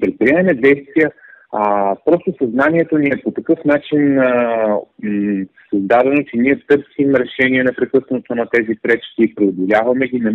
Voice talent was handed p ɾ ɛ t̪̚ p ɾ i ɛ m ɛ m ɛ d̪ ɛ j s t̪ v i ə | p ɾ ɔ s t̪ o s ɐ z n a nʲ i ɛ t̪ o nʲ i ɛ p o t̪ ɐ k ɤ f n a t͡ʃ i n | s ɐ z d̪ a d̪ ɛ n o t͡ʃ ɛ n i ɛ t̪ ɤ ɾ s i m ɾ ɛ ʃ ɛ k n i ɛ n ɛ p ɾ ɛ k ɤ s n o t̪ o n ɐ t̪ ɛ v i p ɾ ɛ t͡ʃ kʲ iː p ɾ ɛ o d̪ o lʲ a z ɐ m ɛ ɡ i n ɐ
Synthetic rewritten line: p ɾ ɛ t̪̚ p ɾ i ɛ m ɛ m ɛ d̪ ɛ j s t̪ v i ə | p ɾ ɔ s t̪ o s ɐ z n a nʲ i ɛ t̪ o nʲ i ɛ p o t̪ ɐ k ɤ f n a t͡ʃ i n | s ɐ z d̪ a d̪ ɛ n o t͡ʃ ɛ n i ɛ t̪ ɤ ɾ s i m ɾ ɛ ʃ ɛ n i ɛ n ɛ p ɾ ɛ k ɤ s n o t̪ o n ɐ t̪ ɛ z i p ɾ ɛ t͡ʃ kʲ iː p ɾ ɛ o d̪ o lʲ a v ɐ m ɛ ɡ i n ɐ